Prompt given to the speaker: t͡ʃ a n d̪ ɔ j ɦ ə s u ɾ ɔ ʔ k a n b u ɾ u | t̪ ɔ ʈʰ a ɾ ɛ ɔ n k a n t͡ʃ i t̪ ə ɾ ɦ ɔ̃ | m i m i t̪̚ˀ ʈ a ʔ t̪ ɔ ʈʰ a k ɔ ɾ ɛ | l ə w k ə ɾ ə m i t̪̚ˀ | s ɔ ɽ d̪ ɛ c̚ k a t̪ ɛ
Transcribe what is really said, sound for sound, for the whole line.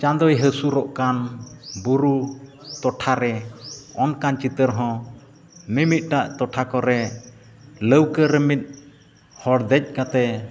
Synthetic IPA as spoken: t͡ʃ a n d̪ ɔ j ɦ ə s u ɾ ɔ ʔ k a n b u ɾ u | t̪ ɔ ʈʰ a ɾ ɛ ɔ n k a n t͡ʃ i t̪ ə ɾ ɦ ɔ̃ | m i m i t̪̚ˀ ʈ a ʔ t̪ ɔ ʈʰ a k ɔ ɾ ɛ | l ə w k ə ɾ ə m i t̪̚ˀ | h ɔ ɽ d̪ ɛ c̚ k a t̪ ɛ